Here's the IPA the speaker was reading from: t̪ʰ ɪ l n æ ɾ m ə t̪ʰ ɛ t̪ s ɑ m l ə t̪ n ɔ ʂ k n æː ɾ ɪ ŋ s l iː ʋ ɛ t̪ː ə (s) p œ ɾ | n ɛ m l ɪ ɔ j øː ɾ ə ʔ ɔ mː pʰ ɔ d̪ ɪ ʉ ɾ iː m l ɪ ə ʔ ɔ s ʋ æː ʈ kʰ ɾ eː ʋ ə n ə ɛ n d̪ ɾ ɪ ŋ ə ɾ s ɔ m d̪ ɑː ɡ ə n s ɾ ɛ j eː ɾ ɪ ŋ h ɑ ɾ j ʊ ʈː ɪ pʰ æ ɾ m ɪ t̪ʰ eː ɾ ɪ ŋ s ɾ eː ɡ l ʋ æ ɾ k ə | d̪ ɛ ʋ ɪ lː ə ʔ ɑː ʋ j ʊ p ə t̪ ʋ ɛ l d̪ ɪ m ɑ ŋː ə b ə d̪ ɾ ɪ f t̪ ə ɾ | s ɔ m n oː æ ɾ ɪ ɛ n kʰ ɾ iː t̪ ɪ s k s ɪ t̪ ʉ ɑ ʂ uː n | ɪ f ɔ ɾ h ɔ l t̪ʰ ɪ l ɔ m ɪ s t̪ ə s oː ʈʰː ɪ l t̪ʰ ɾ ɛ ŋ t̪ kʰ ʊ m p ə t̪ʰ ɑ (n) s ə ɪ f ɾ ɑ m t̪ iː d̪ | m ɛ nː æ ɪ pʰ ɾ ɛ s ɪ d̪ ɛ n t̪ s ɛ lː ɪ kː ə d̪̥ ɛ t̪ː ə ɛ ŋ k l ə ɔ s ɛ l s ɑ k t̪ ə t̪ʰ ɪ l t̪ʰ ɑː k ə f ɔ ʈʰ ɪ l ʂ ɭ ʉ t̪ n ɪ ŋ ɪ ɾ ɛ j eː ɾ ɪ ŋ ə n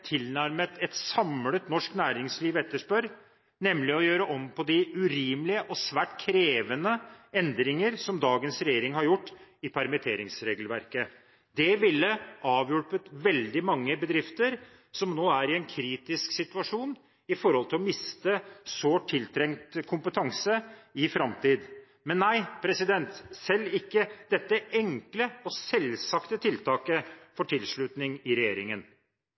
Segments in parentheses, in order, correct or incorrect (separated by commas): incorrect, incorrect